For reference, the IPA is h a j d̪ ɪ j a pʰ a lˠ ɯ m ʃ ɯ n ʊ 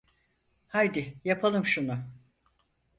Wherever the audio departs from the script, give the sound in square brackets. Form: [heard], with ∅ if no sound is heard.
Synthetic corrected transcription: h a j d̪ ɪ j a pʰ a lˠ ɯ m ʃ [u] n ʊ